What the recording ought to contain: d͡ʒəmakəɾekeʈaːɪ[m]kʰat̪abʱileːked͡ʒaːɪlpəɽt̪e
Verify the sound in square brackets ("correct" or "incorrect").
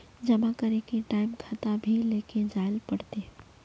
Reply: correct